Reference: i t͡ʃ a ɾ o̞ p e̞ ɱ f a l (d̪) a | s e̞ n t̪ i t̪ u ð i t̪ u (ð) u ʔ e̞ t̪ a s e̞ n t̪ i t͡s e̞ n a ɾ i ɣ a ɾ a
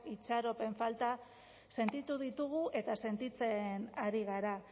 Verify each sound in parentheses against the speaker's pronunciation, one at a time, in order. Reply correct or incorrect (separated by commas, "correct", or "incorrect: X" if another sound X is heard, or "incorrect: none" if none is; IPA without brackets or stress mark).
incorrect: t̪, incorrect: ɣ